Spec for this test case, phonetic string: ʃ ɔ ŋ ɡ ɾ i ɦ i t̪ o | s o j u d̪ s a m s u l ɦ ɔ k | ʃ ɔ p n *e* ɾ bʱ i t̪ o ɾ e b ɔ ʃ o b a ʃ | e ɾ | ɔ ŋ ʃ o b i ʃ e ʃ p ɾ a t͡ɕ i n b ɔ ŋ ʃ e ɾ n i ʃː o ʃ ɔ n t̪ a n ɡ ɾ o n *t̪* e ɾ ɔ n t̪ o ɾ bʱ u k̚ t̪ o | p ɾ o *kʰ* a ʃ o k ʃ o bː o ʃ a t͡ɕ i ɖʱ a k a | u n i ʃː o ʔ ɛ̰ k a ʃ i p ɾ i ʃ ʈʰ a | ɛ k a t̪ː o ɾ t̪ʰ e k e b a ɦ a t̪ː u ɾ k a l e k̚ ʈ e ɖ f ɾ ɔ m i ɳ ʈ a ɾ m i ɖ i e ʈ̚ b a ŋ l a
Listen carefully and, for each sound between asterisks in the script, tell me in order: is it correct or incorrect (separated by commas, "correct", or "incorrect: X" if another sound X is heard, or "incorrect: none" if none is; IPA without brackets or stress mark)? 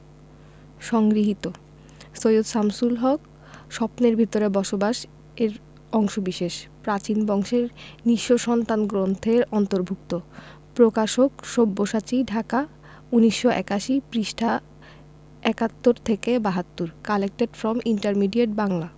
correct, incorrect: t̪ʰ, incorrect: k